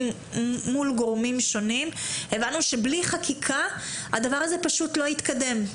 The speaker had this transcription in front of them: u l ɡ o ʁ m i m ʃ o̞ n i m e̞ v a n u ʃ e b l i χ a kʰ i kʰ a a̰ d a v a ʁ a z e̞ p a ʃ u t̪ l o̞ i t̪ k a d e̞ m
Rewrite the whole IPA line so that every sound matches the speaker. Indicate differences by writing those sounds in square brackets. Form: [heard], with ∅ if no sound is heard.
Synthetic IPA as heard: u l ɡ o ʁ m i m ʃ o̞ n i m e̞ v a n u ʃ e b l i χ a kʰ i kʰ a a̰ d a v a ʁ a z e̞ p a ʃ u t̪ l o̞ i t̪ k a d e̞ m